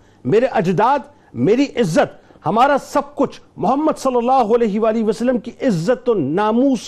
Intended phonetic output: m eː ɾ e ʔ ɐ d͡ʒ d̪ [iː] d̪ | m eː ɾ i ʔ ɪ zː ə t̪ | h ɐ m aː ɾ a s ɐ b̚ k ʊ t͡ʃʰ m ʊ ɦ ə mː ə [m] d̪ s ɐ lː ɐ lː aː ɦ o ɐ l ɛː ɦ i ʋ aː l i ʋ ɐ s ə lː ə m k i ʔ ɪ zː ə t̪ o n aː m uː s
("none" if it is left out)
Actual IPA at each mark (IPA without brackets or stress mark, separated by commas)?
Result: aː, none